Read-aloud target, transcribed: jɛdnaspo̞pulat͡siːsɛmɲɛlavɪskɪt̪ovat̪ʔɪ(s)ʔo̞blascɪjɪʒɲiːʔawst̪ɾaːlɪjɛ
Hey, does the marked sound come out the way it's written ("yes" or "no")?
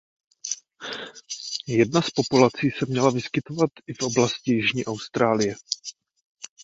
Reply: no